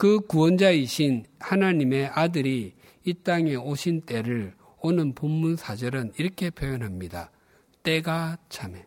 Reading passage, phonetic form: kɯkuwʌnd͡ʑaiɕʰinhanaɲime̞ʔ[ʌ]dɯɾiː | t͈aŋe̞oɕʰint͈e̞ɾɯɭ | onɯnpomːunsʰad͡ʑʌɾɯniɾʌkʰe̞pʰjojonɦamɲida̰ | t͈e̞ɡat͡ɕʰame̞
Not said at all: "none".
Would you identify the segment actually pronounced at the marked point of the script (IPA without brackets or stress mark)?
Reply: a